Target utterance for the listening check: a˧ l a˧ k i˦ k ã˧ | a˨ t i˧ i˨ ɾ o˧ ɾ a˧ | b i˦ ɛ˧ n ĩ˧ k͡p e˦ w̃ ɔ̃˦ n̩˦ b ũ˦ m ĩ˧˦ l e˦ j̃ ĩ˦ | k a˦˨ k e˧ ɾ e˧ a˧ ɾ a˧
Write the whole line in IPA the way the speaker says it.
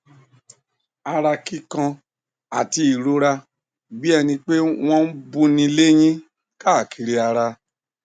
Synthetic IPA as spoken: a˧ ɾ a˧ k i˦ k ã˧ | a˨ t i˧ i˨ ɾ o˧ ɾ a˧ | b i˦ ɛ˧ n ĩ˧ k͡p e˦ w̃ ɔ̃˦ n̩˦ b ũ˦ n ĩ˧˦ l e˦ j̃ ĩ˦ | k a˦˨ k i˧ ɾ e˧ a˧ ɾ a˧